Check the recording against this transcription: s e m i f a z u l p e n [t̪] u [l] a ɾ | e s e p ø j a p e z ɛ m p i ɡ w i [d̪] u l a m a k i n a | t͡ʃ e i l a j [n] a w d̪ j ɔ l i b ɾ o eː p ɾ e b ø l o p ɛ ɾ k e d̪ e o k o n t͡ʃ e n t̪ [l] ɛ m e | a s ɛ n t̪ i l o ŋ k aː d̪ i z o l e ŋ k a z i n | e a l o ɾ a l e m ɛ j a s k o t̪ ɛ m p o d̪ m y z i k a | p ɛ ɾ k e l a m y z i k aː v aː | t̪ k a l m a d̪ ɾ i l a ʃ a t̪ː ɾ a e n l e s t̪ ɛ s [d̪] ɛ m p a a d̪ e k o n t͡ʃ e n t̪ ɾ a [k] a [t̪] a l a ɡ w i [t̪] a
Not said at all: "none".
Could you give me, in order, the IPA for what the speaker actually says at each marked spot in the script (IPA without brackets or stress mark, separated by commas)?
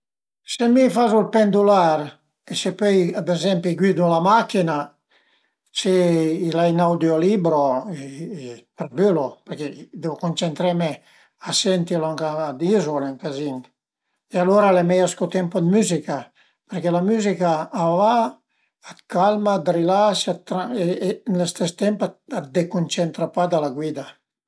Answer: d̪, l, d̪, n, ɾ, t̪, p, d̪, d̪